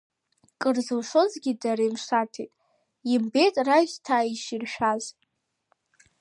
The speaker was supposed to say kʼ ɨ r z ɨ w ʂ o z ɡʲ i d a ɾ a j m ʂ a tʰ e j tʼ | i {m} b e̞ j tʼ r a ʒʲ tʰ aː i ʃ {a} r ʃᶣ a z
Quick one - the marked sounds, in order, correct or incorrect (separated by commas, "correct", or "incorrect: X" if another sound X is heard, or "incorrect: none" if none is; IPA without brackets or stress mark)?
correct, incorrect: i